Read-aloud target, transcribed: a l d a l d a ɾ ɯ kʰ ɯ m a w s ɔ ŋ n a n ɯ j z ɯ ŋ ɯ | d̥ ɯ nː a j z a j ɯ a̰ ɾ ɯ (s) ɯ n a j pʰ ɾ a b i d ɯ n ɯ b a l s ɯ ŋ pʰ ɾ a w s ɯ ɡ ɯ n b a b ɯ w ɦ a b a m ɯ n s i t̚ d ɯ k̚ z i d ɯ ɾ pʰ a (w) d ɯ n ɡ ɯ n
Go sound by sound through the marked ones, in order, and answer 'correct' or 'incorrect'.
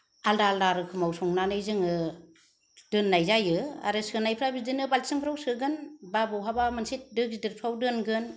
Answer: correct, correct

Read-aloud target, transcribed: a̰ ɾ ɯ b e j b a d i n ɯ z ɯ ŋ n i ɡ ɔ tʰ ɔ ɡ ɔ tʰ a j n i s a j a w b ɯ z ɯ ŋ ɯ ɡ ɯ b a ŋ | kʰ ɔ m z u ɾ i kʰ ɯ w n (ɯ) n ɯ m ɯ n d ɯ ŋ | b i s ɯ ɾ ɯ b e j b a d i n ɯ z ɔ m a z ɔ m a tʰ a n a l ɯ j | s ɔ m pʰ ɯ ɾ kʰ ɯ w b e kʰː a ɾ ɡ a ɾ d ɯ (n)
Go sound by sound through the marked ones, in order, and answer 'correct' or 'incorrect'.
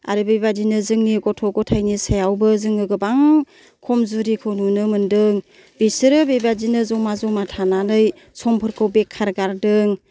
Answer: incorrect: u, incorrect: ŋ

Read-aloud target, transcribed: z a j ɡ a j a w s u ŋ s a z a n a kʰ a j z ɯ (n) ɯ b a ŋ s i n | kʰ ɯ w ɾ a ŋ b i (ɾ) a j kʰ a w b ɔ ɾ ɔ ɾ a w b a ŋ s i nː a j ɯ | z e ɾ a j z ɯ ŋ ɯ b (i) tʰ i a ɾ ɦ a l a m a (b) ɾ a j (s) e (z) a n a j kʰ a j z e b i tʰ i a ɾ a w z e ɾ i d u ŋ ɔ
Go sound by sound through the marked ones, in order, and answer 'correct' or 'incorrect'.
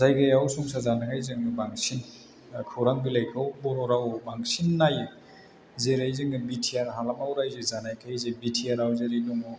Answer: incorrect: ŋ, incorrect: l, correct, incorrect: w, incorrect: z, correct

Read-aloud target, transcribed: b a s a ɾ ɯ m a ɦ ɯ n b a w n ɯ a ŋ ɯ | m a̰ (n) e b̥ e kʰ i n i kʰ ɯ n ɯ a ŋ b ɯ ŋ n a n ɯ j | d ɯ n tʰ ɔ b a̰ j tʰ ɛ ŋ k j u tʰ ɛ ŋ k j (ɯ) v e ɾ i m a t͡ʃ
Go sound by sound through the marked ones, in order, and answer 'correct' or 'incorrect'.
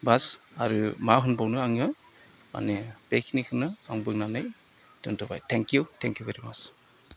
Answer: correct, incorrect: u

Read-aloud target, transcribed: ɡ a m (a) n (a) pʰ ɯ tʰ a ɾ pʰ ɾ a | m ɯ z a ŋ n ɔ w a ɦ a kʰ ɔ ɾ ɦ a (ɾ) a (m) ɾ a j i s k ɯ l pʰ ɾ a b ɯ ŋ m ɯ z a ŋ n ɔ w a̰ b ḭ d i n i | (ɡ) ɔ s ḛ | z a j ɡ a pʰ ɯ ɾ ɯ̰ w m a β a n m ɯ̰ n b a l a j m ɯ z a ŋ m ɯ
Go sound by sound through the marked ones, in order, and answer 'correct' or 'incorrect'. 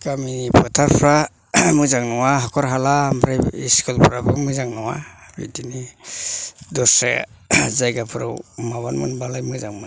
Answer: incorrect: i, incorrect: i, incorrect: l, correct, incorrect: d

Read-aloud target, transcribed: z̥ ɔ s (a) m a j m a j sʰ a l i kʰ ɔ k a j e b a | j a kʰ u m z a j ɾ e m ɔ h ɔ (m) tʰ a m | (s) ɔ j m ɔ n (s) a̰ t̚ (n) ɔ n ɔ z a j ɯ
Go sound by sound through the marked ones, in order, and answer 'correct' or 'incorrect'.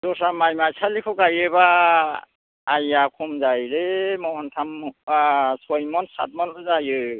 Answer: correct, incorrect: n, correct, correct, incorrect: m

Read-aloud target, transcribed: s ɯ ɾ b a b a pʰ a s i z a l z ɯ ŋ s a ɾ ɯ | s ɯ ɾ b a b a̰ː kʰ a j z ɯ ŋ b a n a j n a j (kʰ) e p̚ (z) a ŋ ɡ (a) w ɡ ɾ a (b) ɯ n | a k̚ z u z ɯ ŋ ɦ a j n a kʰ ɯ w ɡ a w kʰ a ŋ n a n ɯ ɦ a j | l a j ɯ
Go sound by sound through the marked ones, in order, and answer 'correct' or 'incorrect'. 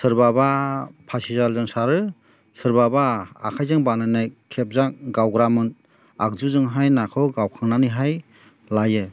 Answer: correct, correct, correct, incorrect: m

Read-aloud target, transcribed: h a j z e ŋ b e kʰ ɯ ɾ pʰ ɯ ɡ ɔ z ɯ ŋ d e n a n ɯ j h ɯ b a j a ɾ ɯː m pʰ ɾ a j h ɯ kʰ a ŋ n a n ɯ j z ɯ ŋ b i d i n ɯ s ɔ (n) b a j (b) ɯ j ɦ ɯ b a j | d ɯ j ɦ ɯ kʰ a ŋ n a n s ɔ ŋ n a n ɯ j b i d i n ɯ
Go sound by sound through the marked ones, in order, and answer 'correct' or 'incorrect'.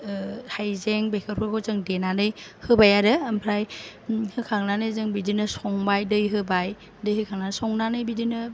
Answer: incorrect: ŋ, incorrect: d

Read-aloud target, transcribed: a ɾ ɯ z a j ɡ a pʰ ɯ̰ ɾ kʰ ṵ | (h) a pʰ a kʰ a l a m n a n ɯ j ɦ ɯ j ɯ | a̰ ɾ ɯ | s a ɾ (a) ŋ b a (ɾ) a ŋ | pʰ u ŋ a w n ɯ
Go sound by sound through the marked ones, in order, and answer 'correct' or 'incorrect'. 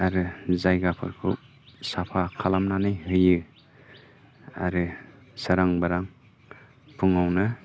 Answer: incorrect: s, correct, correct

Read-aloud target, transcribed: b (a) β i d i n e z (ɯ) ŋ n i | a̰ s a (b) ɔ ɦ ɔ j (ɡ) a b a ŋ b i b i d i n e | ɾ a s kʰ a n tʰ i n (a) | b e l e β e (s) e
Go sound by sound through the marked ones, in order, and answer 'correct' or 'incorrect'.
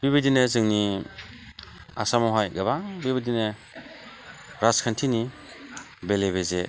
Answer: incorrect: i, correct, incorrect: m, correct, incorrect: i, incorrect: z

